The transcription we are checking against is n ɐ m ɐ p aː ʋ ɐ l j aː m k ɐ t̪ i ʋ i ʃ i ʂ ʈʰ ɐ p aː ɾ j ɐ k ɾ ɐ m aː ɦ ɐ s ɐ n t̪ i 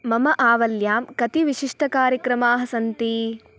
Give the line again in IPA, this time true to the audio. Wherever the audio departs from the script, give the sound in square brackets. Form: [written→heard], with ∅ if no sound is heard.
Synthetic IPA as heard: [n→m] ɐ m ɐ [p→ʔ] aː ʋ ɐ l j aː m k ɐ t̪ i ʋ i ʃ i ʂ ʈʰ ɐ [p→k] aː ɾ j ɐ k ɾ ɐ m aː ɦ ɐ s ɐ n t̪ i